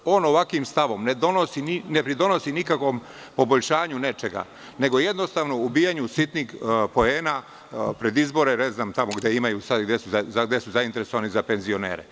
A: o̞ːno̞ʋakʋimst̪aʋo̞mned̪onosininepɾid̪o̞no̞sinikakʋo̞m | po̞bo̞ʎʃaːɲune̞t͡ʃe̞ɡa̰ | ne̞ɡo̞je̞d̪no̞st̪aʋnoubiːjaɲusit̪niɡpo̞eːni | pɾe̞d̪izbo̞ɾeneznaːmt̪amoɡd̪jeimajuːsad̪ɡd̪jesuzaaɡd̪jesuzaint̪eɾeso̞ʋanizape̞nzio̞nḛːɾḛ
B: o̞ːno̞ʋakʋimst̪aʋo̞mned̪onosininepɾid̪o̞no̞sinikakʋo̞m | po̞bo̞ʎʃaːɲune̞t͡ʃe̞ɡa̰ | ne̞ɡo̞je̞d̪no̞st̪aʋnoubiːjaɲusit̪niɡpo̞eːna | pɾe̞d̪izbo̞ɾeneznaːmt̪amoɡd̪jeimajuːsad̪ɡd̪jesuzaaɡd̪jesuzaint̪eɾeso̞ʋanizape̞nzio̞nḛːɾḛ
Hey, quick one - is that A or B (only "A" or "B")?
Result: B